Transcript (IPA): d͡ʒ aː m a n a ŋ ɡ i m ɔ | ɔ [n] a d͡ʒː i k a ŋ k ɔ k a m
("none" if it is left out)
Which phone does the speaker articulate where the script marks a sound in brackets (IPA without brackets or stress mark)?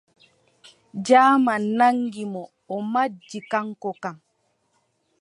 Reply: m